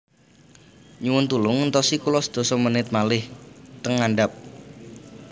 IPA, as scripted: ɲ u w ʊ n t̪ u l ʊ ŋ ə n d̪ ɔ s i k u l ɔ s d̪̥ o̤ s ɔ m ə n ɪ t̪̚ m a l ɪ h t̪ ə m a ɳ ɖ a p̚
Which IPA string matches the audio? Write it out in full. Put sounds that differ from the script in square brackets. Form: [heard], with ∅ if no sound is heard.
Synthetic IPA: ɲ u w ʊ n t̪ u l ʊ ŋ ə n [t̪] ɔ s i k u l ɔ s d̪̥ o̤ s ɔ m ə n ɪ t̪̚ m a l ɪ h t̪ ə [ŋ] a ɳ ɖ a p̚